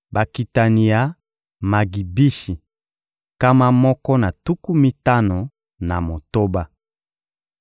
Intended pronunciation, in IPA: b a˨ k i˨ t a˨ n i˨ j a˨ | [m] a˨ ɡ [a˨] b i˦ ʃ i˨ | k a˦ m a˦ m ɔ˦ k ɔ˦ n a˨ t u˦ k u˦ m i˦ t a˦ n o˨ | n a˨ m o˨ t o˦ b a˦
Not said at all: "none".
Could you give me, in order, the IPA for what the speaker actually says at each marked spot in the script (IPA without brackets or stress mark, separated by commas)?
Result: m, i˨